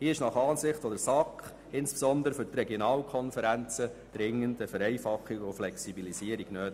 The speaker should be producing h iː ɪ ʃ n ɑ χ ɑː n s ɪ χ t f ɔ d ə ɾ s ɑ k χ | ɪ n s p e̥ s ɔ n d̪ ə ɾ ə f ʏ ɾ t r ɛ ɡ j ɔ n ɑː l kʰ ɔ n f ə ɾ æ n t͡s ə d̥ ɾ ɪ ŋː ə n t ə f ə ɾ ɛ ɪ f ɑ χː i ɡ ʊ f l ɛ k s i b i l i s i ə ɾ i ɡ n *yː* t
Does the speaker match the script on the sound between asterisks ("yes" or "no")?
no